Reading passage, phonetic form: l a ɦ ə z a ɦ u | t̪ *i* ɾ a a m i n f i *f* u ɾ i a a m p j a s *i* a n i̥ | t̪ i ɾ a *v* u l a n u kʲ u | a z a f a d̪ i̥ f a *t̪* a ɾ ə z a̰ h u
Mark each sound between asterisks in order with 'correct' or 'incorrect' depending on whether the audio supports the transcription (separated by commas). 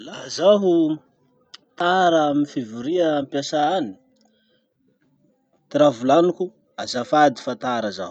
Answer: incorrect, incorrect, incorrect, correct, correct